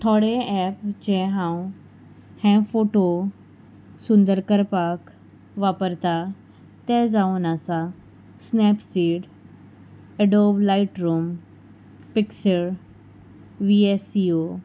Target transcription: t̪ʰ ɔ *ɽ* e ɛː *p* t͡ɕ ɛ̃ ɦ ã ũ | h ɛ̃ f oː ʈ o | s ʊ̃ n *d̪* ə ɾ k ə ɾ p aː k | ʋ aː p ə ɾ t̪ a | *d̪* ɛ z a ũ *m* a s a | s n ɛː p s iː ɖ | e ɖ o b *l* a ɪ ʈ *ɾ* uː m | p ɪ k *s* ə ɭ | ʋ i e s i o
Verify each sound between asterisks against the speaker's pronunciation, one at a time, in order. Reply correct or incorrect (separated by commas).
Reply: correct, correct, correct, incorrect, incorrect, correct, correct, correct